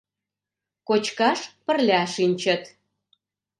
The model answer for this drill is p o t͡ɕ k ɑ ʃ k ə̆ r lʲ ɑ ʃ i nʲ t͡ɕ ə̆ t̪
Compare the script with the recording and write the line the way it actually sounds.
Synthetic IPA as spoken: k o t͡ɕ k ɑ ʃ p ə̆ r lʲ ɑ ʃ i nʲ t͡ɕ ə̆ t̪